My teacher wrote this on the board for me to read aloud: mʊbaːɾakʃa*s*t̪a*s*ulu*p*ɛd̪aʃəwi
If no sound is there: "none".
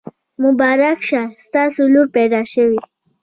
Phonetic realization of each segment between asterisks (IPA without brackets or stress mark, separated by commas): s, s, p